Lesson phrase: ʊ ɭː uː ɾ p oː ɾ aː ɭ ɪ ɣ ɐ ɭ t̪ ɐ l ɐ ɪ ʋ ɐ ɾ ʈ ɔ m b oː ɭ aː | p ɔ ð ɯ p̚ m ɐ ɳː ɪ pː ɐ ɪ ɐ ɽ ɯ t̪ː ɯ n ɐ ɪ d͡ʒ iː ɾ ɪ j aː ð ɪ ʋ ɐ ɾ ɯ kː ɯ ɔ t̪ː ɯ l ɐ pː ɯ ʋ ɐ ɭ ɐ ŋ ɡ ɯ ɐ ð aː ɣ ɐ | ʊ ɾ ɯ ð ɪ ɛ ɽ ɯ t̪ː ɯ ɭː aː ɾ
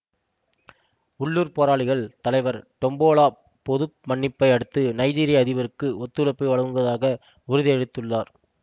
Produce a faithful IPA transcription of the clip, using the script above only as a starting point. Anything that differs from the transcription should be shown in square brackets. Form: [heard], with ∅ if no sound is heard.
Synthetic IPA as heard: ʊ ɭː uː ɾ p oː ɾ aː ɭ ɪ ɣ ɐ ɭ t̪ ɐ l ɐ ɪ ʋ ɐ ɾ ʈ ɔ m b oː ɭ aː | p ɔ ð ɯ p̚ m ɐ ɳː ɪ pː ɐ ɪ ɐ ɽ ɯ t̪ː ɯ n ɐ ɪ d͡ʒ iː ɾ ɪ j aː ð ɪ ʋ ɐ ɾ ɯ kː ɯ ɔ t̪ː ɯ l ɐ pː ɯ ʋ ɐ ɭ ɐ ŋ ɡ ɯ ɐ ð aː ɣ ɐ | ʊ ɾ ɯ ð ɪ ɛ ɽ ɯ t̪ː ɯ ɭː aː ɾ